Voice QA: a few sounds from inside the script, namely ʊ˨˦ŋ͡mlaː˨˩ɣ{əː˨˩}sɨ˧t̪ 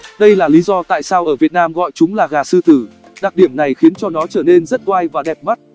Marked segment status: incorrect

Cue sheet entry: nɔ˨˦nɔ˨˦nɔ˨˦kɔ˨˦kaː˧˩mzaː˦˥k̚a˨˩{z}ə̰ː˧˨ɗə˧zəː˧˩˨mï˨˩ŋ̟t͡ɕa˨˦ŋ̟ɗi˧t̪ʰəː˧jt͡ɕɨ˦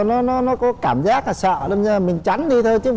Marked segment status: incorrect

